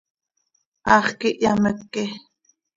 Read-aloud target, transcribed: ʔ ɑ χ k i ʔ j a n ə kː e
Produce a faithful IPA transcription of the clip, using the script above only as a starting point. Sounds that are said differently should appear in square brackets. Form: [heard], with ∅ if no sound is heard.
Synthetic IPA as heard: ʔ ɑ χ k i ʔ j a [m] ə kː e